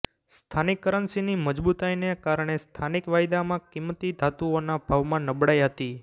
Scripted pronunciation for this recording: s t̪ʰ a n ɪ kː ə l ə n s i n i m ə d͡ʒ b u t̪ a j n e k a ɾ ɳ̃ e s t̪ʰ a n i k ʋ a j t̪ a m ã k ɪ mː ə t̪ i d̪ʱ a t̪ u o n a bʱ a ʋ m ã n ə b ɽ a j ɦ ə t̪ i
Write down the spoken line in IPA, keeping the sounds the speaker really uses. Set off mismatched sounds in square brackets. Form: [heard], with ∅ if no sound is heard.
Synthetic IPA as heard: s t̪ʰ a n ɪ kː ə [ɾ] ə n s i n i m ə d͡ʒ b u t̪ a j n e k a ɾ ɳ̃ e s t̪ʰ a n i k ʋ a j [d̪] a m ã k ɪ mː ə t̪ i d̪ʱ a t̪ u o n a bʱ a ʋ m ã n ə b ɽ a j ɦ ə t̪ i